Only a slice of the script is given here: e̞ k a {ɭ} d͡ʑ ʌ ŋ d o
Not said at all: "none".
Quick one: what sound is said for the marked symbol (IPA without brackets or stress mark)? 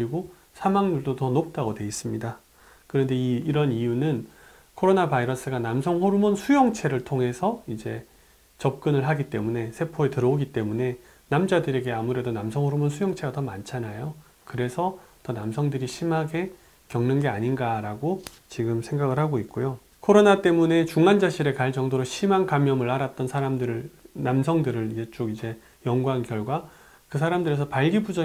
ɭ